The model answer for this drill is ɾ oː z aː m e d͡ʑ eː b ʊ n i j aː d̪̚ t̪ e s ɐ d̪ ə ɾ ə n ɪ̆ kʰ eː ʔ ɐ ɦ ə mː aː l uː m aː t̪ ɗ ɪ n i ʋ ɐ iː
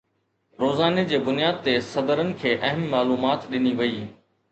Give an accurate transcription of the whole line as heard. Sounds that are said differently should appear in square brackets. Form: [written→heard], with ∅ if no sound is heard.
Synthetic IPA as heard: ɾ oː z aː [m→n] e d͡ʑ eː b ʊ n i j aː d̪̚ t̪ e s ɐ d̪ ə ɾ ə n ɪ̆ kʰ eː ʔ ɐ ɦ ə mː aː l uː m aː t̪ ɗ ɪ n i ʋ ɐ iː